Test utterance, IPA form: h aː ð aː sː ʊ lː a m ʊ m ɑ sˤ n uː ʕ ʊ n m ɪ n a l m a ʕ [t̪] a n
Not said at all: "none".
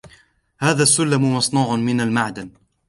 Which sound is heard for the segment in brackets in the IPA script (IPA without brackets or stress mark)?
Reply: d̪